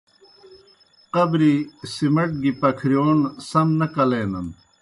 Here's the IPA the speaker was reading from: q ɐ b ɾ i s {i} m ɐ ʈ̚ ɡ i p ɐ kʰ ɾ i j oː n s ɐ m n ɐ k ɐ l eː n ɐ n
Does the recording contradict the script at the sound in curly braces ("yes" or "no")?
no